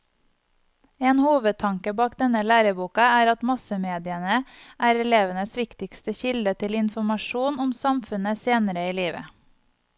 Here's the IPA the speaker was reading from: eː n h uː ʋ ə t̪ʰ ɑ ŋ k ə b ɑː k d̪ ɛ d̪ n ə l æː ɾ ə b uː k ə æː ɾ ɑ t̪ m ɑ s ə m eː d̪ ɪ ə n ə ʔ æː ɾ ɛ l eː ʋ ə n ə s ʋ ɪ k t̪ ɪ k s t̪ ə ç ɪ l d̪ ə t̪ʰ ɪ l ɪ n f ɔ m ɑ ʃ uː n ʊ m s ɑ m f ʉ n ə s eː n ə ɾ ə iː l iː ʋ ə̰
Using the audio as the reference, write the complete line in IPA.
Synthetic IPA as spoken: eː n h uː ʋ ə t̪ʰ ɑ ŋ k ə b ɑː k d̪ ɛ n ə l æː ɾ ə b uː k ɑ æː ɾ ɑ t̪ m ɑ s ə m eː d̪ ɪ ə n ə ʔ æː ɾ ɛ l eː ʋ ə n ə s ʋ ɪ k t̪ ɪ k s t̪ ə ç ɪ l d̪ ə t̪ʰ ɪ l ɪ n f ɔ m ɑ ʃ uː n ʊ m s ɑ m f ʉ n ə s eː n ə ɾ ə iː l iː ʋ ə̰